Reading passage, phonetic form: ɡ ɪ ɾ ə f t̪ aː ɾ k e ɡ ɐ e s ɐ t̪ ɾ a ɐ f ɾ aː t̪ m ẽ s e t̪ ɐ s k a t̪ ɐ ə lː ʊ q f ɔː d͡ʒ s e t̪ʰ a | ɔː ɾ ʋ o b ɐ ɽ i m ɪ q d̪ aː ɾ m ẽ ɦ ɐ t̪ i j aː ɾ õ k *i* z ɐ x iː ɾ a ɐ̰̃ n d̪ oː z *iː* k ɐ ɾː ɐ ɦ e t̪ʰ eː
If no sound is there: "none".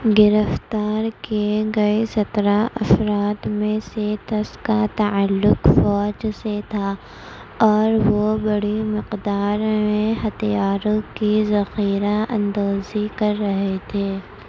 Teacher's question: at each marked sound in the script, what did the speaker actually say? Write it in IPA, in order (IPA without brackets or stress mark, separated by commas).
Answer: i, i